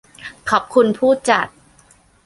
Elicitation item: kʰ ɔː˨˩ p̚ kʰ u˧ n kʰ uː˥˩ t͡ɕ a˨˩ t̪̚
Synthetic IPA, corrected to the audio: kʰ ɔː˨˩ p̚ kʰ u˧ n pʰ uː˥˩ t͡ɕ a˨˩ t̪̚